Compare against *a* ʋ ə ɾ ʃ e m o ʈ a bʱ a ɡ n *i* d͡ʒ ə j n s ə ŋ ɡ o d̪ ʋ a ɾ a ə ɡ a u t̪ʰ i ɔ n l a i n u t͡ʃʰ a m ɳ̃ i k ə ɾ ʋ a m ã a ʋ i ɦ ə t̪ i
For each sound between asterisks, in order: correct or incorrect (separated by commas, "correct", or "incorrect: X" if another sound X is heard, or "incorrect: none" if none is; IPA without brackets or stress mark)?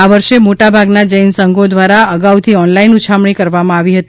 correct, incorrect: a